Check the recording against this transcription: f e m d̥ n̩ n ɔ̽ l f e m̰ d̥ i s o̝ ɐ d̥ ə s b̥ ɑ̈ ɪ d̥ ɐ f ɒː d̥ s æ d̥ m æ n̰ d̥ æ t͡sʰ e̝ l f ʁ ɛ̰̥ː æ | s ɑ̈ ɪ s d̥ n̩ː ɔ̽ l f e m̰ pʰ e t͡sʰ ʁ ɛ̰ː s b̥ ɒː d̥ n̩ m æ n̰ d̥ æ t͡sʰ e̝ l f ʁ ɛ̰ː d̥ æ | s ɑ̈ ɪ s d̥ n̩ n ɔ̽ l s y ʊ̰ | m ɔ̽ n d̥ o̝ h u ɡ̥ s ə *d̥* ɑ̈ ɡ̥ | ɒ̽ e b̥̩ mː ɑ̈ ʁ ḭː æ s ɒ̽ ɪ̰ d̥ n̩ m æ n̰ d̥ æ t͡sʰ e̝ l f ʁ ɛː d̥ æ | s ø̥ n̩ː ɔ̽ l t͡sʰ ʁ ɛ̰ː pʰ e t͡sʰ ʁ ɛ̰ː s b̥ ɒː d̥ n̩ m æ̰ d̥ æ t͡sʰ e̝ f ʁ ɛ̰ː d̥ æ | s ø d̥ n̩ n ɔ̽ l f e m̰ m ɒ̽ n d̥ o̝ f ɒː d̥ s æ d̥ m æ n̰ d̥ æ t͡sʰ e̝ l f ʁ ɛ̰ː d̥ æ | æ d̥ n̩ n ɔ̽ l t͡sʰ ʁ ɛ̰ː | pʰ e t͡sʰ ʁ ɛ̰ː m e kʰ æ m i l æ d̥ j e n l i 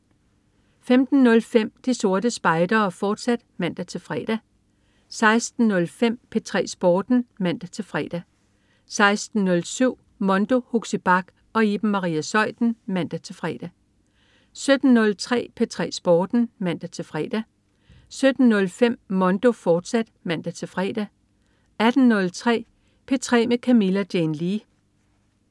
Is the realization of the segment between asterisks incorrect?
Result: yes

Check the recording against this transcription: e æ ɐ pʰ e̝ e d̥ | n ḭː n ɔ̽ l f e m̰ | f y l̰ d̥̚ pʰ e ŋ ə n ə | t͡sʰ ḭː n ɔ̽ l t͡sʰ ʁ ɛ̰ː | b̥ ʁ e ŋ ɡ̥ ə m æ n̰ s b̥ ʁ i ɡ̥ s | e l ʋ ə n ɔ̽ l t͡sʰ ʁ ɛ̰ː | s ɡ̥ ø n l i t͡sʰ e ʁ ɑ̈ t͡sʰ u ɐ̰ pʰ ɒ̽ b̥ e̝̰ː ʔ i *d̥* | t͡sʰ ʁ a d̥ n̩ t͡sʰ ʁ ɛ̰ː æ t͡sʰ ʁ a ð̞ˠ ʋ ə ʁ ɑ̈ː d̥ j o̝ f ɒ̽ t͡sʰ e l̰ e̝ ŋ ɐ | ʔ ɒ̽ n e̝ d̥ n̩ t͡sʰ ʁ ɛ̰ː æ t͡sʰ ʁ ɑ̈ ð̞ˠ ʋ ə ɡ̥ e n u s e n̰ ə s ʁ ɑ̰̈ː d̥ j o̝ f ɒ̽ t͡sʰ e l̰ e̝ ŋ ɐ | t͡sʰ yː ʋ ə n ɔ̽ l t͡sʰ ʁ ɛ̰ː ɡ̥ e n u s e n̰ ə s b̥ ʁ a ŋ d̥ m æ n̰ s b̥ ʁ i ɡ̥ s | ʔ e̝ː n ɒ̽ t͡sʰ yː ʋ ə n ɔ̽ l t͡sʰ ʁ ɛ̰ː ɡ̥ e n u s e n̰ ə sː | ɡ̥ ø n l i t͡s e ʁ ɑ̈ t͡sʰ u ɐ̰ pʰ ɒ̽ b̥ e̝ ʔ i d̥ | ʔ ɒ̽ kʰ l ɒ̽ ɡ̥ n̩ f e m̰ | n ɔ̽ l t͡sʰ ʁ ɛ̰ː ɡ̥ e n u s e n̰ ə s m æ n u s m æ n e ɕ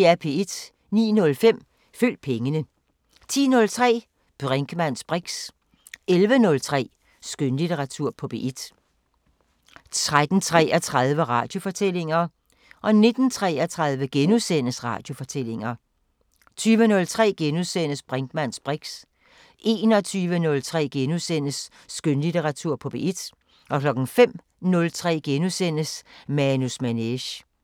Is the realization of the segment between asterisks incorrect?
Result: no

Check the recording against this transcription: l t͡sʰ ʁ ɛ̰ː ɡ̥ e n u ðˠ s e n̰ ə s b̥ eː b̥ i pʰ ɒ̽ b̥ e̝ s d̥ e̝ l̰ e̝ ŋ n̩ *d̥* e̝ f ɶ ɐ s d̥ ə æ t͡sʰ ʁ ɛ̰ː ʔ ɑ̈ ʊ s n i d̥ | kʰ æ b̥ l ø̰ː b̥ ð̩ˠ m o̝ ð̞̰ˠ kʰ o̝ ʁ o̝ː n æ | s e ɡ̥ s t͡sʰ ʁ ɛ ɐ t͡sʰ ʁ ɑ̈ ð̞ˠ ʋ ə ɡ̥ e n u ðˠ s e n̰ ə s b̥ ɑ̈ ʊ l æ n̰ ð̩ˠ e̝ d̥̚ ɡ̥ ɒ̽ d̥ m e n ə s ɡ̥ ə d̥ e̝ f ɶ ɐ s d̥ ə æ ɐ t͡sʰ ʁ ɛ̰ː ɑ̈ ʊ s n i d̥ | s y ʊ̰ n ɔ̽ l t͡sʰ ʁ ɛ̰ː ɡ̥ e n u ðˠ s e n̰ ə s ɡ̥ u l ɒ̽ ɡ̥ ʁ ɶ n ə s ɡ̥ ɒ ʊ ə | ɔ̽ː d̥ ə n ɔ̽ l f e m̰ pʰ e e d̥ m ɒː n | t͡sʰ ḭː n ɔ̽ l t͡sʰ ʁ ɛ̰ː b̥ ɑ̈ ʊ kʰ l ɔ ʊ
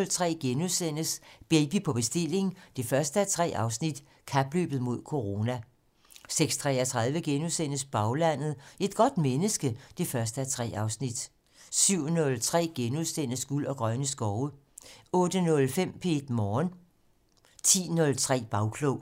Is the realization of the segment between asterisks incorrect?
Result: no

